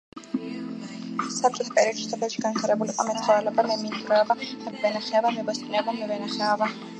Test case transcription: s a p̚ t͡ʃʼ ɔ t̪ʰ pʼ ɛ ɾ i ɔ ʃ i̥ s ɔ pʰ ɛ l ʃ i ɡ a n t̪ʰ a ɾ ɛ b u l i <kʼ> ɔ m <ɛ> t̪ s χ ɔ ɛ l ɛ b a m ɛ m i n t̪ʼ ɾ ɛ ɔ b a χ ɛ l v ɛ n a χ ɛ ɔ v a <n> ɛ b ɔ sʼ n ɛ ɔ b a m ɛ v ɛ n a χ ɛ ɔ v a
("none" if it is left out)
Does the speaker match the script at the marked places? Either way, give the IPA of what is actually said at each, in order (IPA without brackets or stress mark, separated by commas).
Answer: qʼ, ɛ, m